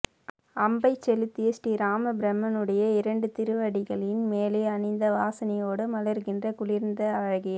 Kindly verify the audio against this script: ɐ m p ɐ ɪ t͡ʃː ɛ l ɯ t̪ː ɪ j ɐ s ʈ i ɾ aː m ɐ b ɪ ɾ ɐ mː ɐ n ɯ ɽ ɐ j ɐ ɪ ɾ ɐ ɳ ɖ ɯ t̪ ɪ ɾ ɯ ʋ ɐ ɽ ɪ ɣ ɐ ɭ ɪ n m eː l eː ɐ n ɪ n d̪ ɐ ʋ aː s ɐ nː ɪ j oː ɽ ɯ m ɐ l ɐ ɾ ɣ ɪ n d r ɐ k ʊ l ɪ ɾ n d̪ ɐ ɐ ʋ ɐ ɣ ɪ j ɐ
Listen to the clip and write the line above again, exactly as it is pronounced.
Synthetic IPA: ɐ m b ɐ ɪ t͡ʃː ɛ l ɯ t̪ː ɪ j ɐ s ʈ i ɾ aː m ɐ b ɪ ɾ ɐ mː ɐ n ɯ ɽ ɐ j ɐ ɪ ɾ ɐ ɳ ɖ ɯ t̪ ɪ ɾ ɯ ʋ ɐ ɽ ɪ ɣ ɐ ɭ ɪ n m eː l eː ɐ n ɪ n d̪ ɐ ʋ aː s ɐ n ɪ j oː ɽ ɯ m ɐ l ɐ ɾ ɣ ɪ n d r ɐ k ʊ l ɪ ɾ n d̪ ɐ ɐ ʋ ɐ ɣ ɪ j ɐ

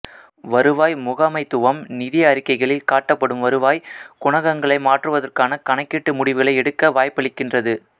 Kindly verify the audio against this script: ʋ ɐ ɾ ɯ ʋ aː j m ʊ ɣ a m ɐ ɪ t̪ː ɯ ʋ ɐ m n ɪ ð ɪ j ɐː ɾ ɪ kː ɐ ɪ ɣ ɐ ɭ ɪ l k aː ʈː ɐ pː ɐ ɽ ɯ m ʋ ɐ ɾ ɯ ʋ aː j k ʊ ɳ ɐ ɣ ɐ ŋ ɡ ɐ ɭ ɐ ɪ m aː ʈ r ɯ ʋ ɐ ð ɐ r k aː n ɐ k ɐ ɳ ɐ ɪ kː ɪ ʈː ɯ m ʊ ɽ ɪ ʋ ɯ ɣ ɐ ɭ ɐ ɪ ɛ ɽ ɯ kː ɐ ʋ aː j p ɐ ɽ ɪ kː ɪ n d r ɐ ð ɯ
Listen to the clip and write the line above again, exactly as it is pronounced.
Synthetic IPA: ʋ ɐ ɾ ɯ ʋ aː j m ʊ ɣ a m ɐ ɪ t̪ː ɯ ʋ ɐ m n ɪ ð ɪ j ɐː ɾ ɪ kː ɐ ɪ ɣ ɐ ɭ ɪ l k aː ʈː ɐ pː ɐ ɽ ɯ m ʋ ɐ ɾ ɯ ʋ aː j k ʊ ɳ ɐ ɣ ɐ ŋ ɡ ɐ ɭ ɐ ɪ m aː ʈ r ɯ ʋ ɐ ð ɐ r k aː n ɐ k ɐ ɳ ɐ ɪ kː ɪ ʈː ɯ m ʊ ɽ ɪ ʋ ɯ ɣ ɐ ɭ ɐ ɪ ɛ ɽ ɯ kː ɐ ʋ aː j p ɐ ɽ ɪ kː ɪ n d r ɐ ð ɯ

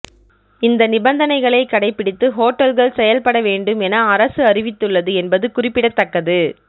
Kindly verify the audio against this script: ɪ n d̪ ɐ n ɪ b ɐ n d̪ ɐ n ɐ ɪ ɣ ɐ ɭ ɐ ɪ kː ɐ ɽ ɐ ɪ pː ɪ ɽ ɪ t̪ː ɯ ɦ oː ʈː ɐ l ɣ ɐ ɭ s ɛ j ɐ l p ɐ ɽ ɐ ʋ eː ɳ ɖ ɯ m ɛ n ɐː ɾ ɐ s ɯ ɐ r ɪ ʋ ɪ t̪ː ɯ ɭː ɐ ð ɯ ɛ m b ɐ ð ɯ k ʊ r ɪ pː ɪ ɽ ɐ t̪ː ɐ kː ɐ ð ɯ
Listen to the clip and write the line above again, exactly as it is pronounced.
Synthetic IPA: ɪ n d̪ ɐ n ɪ b ɐ n d̪ ɐ n ɐ ɪ ɣ ɐ ɭ ɐ ɪ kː ɐ ɽ ɐ ɪ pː ɪ ɽ ɪ t̪ː ɯ ɦ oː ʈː ɐ l ɣ ɐ ɭ s ɛ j ɐ l p ɐ ɽ ɐ ʋ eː ɳ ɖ ɯ m ɛ n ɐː ɾ ɐ s ɯ ɐ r ɪ ʋ ɪ t̪ː ɯ ɭː ɐ ð ɯ ɛ n b ɐ ð ɯ k ʊ r ɪ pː ɪ ɽ ɐ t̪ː ɐ kː ɐ ð ɯ

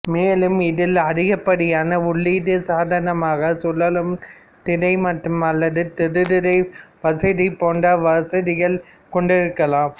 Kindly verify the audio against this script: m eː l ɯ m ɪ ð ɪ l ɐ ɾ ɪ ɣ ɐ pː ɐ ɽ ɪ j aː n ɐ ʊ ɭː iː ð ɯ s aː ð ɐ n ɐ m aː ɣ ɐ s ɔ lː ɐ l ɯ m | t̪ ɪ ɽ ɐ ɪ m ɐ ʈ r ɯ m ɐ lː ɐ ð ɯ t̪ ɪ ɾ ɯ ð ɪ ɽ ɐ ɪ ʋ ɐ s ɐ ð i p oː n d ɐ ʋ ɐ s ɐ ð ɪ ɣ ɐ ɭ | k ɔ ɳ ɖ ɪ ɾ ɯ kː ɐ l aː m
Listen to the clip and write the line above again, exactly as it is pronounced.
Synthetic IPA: m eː l ɯ m ɪ ð ɪ l ɐ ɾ ɪ ɣ ɐ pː ɐ ɽ ɪ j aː n ɐ ʊ ɭː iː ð ɯ s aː ð ɐ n ɐ m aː ɣ ɐ s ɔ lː ɐ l ɯ m | t̪ ɪ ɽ ɐ ɪ m ɐ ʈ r ɯ m ɐ lː ɐ ð ɯ t̪ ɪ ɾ ɯ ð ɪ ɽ ɐ ɪ ʋ ɐ s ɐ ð i p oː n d ɐ ʋ ɐ s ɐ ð ɪ ɣ ɐ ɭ | k ɔ ɳ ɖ ɪ ɾ ɯ kː ɐ l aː m

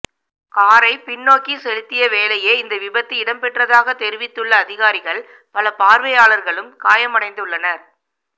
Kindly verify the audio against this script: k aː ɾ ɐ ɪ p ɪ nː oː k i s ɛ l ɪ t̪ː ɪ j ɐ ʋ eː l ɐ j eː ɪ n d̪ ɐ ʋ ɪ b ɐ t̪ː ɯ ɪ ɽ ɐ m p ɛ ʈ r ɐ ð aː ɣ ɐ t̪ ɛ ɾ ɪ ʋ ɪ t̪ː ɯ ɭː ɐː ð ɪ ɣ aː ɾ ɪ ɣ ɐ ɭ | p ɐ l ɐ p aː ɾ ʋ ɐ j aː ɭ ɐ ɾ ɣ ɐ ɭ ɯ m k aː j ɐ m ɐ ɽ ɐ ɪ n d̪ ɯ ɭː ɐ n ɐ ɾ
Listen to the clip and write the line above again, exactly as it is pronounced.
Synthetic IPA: k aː ɾ ɐ ɪ p ɪ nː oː k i s ɛ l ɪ t̪ː ɪ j ɐ ʋ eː l ɐ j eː ɪ n d̪ ɐ ʋ ɪ b ɐ t̪ː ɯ ɪ ɽ ɐ m p ɛ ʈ r ɐ ð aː ɣ ɐ t̪ ɛ ɾ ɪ ʋ ɪ t̪ː ɯ ɭː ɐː ð ɪ ɣ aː ɾ ɪ ɣ ɐ ɭ | p ɐ l ɐ p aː ɾ ʋ ɐ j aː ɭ ɐ ɾ ɣ ɐ ɭ ɯ m k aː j ɐ m ɐ ɽ ɐ ɪ n d̪ ɯ ɭː ɐ n ɐ ɾ

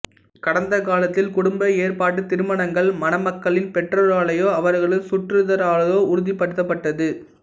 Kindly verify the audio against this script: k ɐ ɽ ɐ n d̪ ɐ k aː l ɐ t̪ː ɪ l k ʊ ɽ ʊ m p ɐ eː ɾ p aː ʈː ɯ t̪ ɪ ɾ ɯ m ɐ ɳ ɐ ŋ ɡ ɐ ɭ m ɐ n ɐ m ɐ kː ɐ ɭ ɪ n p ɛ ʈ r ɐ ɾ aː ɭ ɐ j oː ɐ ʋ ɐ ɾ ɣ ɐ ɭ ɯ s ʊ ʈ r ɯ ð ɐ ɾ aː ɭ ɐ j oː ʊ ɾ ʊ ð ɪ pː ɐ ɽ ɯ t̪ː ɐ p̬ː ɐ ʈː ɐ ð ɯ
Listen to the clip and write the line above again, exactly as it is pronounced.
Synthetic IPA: k ɐ ɽ ɐ n d̪ ɐ k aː l ɐ t̪ː ɪ l k ʊ ɽ ʊ m b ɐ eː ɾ p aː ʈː ɯ t̪ ɪ ɾ ɯ m ɐ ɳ ɐ ŋ ɡ ɐ ɭ m ɐ n ɐ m ɐ kː ɐ ɭ ɪ n p ɛ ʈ r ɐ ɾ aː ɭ ɐ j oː ɐ ʋ ɐ ɾ ɣ ɐ ɭ ɯ s ʊ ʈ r ɯ ð ɐ ɾ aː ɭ ɐ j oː ʊ ɾ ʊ ð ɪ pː ɐ ɽ ɯ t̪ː ɐ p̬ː ɐ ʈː ɐ ð ɯ

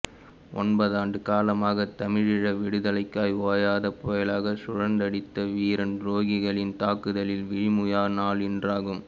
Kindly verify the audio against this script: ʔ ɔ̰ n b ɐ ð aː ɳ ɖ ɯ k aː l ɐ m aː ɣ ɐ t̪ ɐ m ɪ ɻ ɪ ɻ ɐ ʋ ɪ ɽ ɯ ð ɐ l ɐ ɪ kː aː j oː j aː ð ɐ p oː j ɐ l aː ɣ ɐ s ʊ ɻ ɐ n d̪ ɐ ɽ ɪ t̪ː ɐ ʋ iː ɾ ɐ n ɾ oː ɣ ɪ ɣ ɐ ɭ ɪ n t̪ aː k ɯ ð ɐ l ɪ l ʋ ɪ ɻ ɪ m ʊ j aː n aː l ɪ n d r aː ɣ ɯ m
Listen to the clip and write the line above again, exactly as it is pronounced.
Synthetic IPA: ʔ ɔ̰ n b ɐ ð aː ɳ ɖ ɯ k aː l ɐ m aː ɣ ɐ t̪ ɐ m ɪ ɻ ɪ ɻ ɐ ʋ ɪ ɽ ɯ ð ɐ l ɐ ɪ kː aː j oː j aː ð ɐ p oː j ɐ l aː ɣ ɐ s ʊ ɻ ɐ n d̪ ɐ ɽ ɪ t̪ː ɐ ʋ iː ɾ ɐ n ɾ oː ɣ ɪ ɣ ɐ ɭ ɪ n t̪ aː k ɯ ð ɐ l ɪ l ʋ ɪ ɻ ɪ m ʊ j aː n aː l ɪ n d r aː ɣ ɯ m

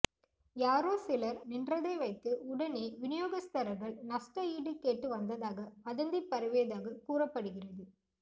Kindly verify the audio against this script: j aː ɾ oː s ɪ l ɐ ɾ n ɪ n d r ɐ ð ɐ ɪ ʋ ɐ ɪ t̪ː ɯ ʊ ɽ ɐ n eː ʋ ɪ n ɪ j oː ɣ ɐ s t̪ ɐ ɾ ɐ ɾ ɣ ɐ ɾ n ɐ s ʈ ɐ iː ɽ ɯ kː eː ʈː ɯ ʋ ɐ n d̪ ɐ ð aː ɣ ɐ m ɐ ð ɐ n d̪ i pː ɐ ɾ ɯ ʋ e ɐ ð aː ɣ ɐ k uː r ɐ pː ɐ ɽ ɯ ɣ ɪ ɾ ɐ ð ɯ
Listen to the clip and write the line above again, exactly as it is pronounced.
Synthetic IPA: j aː ɾ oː s ɪ l ɐ ɾ n ɪ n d r ɐ ð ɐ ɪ ʋ ɐ ɪ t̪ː ɯ ʊ ɽ ɐ n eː ʋ ɪ n ɪ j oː ɣ ɐ s t̪ ɐ ɾ ɐ ɾ ɣ ɐ ɭ n ɐ s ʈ ɐ iː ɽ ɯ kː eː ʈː ɯ ʋ ɐ n d̪ ɐ ð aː ɣ ɐ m ɐ ð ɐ n d̪ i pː ɐ ɾ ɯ ʋ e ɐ ð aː ɣ ɐ k uː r ɐ pː ɐ ɽ ɯ ɣ ɪ r ɐ ð ɯ

